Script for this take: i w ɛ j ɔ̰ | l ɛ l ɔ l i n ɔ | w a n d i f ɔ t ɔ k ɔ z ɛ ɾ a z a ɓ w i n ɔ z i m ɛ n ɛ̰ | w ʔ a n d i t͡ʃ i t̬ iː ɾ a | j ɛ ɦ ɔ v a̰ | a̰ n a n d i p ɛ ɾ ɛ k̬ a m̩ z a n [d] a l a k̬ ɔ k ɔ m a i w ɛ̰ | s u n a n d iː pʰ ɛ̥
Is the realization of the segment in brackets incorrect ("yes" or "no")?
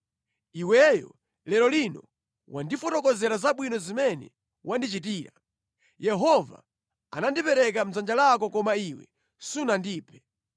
yes